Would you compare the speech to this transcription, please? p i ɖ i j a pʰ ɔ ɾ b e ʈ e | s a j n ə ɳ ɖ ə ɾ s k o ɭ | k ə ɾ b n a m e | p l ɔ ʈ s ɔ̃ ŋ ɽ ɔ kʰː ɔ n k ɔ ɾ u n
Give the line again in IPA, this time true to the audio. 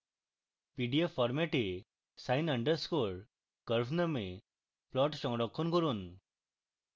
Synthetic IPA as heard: p i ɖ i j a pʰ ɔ ɾ m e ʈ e | s a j n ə ɳ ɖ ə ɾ s k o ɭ | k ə ɾ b n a m e | p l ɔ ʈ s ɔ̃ ŋ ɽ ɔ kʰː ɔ n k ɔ ɾ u n